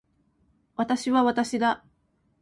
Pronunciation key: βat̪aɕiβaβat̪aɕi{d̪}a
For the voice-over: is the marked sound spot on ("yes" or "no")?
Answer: yes